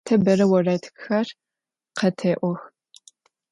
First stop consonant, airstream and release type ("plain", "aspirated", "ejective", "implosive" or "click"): aspirated